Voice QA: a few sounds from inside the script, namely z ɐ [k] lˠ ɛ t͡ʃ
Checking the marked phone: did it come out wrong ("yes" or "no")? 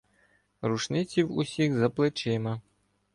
yes